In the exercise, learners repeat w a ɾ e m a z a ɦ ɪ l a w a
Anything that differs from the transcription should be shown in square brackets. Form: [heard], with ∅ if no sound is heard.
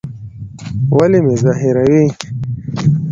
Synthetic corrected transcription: w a [l] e m [e] z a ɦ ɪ [ɾ] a w [i]